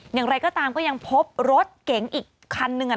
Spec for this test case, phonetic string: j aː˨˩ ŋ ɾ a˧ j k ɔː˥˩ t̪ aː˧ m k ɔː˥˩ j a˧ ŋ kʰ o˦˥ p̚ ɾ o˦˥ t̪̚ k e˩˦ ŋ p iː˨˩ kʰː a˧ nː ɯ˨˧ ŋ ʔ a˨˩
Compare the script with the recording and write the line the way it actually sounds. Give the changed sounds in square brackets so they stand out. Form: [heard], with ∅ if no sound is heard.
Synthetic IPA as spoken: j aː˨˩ ŋ ɾ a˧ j k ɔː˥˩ t̪ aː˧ m k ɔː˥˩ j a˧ ŋ [pʰ] o˦˥ p̚ ɾ o˦˥ t̪̚ k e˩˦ ŋ [ʔ] iː˨˩ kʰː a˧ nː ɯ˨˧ ŋ ʔ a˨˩